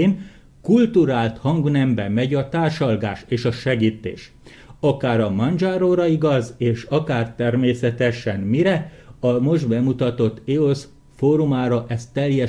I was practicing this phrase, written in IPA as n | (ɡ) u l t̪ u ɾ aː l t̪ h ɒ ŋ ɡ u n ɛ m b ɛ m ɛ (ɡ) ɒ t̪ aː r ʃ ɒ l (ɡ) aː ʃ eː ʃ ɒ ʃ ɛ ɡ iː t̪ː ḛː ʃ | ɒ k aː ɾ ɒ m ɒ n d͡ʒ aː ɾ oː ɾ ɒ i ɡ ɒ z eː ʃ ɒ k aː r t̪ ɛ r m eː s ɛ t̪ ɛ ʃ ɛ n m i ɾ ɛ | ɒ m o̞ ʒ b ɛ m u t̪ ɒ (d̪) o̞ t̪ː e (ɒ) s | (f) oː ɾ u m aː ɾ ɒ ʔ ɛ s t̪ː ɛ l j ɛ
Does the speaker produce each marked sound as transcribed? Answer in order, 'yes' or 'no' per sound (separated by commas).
no, no, yes, no, no, yes